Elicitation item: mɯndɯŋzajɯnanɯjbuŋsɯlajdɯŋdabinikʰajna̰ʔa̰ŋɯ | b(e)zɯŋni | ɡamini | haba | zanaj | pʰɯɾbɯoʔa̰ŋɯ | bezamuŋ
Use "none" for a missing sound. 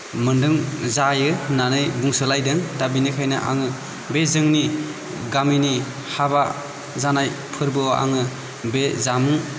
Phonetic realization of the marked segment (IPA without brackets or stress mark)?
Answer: e